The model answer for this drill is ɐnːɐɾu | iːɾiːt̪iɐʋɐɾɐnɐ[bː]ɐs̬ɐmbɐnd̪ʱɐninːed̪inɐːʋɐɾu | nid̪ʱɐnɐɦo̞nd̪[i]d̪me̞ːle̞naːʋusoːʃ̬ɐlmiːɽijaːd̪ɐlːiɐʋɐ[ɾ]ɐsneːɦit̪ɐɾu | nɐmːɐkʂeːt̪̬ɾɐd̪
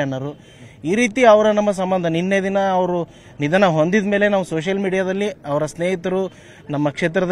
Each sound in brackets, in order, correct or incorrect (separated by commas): incorrect, correct, correct